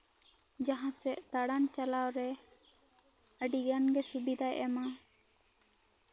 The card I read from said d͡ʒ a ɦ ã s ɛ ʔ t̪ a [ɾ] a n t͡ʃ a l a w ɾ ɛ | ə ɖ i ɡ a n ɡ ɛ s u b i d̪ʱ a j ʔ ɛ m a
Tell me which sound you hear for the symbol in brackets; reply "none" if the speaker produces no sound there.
ɽ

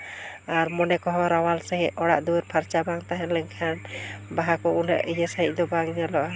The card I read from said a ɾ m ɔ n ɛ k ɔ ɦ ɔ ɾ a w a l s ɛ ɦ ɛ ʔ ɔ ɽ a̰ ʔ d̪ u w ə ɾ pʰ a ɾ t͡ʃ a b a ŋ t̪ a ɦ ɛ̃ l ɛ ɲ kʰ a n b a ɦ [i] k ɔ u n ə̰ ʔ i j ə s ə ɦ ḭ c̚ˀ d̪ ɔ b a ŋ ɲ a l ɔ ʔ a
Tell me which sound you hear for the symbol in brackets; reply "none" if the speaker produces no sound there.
a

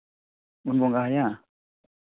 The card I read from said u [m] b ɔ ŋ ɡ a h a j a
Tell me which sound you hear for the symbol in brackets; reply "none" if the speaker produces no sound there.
n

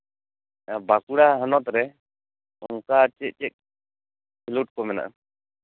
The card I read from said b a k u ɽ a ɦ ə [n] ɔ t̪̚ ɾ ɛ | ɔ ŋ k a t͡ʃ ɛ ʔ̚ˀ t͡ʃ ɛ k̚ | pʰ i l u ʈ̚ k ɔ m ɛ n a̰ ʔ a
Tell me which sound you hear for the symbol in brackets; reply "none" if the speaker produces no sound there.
n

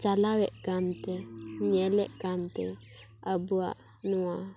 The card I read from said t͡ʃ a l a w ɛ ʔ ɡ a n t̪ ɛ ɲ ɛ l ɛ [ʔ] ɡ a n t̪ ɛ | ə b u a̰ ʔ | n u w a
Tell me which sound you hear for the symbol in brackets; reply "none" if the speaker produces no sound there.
ʔ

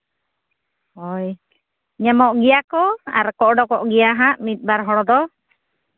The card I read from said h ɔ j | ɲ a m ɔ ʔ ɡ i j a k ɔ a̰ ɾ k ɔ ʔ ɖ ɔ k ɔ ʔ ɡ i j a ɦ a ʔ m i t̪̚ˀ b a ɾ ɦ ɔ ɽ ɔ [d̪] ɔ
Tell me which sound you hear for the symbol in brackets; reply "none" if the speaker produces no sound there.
d̪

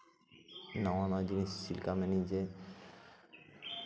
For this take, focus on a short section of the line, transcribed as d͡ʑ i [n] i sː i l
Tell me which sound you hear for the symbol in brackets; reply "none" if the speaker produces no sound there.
n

